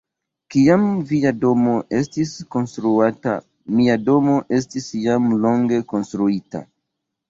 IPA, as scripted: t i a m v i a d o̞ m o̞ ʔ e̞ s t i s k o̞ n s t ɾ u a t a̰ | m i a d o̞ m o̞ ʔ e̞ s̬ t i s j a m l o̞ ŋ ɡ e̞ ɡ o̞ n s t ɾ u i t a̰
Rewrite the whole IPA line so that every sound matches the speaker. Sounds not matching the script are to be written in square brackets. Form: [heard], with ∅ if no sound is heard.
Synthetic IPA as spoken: [k] i a m v i a d o̞ m o̞ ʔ e̞ s t i s k o̞ n s t ɾ u a t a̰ | m i a d o̞ m o̞ ʔ e̞ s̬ t i s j a m l o̞ ŋ ɡ e̞ [k] o̞ n s t ɾ u i t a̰